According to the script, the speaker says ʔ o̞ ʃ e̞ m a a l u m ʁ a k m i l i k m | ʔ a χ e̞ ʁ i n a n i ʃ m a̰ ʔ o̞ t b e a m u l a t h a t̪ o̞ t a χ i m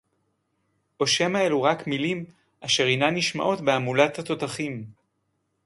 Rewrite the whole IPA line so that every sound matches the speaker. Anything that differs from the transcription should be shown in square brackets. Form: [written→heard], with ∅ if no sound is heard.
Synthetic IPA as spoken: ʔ o̞ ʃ e̞ m a [a→e] l u [m→∅] ʁ a k m i l i [k→∅] m | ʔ a [χ→ʃ] e̞ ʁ i n a n i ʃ m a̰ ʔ o̞ t b e a m u l a t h a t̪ o̞ t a χ i m